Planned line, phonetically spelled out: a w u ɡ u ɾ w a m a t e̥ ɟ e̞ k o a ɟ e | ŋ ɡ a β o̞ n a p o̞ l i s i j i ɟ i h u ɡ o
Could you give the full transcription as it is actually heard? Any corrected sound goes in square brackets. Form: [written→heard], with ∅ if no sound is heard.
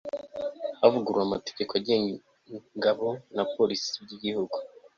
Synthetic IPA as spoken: a [w→v] u ɡ u ɾ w a m a t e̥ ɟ e̞ k o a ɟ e | ŋ ɡ a β o̞ n a p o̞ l i s i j i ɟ i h u ɡ [o→u]